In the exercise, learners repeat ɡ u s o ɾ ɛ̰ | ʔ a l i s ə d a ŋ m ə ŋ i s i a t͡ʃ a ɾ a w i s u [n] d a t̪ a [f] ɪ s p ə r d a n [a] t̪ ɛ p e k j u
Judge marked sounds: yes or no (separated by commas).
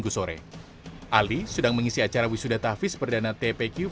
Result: no, yes, yes